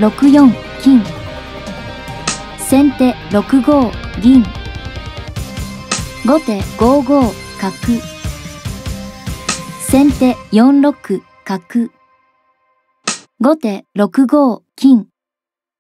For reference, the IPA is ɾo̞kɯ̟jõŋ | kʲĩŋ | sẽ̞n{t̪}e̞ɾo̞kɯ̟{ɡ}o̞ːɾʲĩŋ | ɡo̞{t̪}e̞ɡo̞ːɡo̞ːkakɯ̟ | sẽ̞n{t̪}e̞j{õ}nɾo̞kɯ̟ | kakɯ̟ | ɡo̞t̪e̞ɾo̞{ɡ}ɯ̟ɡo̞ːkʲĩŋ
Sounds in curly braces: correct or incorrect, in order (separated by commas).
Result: correct, correct, correct, correct, correct, incorrect